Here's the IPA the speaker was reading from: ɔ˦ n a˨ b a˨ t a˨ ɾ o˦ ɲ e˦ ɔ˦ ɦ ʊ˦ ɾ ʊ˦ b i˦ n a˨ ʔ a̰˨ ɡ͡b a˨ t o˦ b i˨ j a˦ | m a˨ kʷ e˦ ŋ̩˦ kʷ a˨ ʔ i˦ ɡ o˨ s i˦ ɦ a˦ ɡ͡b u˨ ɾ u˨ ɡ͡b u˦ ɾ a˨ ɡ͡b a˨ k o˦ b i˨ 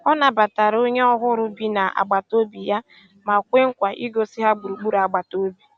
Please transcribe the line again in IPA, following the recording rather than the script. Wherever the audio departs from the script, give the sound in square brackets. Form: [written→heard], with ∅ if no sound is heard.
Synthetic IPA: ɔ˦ n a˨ b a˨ t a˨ ɾ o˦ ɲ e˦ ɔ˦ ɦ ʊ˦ ɾ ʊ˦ b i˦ n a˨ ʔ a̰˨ ɡ͡b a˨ t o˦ b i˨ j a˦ | m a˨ kʷ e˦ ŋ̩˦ kʷ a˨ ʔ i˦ ɡ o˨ s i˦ ɦ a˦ ɡ͡b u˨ ɾ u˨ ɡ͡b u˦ ɾ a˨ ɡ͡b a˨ [k→t] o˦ b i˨